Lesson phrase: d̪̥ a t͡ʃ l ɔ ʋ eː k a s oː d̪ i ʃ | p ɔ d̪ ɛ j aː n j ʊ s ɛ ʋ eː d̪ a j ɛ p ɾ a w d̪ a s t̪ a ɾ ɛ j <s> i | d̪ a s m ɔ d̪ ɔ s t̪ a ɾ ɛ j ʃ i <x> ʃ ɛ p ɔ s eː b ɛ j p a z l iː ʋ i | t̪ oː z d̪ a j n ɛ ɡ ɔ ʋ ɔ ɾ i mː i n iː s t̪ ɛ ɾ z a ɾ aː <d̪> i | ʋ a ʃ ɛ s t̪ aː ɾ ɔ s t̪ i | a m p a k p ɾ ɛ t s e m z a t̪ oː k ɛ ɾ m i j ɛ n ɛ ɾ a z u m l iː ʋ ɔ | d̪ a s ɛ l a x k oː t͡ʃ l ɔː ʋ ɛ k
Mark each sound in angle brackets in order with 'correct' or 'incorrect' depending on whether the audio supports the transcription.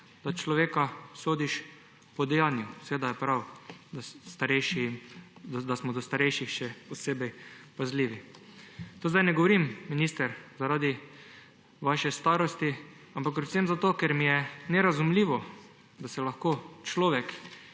incorrect: ʃ, correct, correct

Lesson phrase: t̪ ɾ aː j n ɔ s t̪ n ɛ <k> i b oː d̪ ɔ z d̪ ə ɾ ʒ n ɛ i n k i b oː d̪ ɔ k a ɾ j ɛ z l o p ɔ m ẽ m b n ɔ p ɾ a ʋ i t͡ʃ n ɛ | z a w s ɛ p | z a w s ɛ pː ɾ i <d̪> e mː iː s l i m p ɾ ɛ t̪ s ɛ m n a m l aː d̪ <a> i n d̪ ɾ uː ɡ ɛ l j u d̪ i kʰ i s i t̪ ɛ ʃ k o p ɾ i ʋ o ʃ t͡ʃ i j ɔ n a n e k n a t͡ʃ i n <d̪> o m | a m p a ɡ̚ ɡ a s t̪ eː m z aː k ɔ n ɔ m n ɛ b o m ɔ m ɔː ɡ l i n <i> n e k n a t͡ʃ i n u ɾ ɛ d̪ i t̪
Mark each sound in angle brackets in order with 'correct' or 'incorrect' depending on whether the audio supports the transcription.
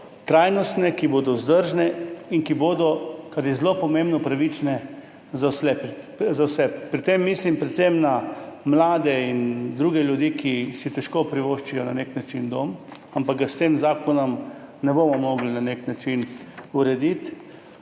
correct, incorrect: t̪, incorrect: ɛ, correct, incorrect: a

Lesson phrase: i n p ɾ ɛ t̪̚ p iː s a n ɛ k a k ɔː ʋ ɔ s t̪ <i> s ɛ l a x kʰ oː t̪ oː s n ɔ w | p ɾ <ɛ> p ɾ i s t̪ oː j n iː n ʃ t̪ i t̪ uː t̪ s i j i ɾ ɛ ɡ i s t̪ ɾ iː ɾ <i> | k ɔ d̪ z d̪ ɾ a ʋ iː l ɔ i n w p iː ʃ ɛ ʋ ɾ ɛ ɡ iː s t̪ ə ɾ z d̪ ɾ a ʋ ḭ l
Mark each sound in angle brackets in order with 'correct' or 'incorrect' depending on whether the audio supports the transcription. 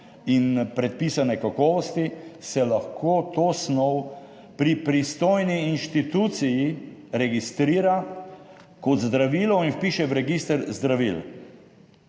correct, incorrect: i, incorrect: a

